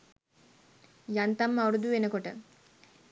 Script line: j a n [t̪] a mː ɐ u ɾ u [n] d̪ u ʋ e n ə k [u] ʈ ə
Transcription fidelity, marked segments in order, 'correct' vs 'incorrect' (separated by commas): correct, incorrect, incorrect